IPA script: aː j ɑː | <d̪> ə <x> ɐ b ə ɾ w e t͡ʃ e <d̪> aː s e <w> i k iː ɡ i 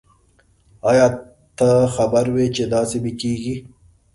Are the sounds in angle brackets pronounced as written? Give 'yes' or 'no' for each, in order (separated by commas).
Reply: no, yes, yes, no